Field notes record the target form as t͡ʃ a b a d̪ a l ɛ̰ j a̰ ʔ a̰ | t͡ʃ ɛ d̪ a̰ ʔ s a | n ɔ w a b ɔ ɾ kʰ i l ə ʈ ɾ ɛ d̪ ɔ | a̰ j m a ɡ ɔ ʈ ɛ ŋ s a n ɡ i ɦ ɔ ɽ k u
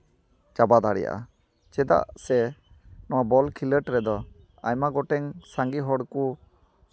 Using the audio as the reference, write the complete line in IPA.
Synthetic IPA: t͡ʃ a b a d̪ a ɽ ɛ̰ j a̰ ʔ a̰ | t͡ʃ ɛ d̪ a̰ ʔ s ɛ | n ɔ w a b ɔ l kʰ i l ə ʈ ɾ ɛ d̪ ɔ | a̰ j m a ɡ ɔ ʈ ɛ ŋ s a ŋ ɡ i ɦ ɔ ɽ k u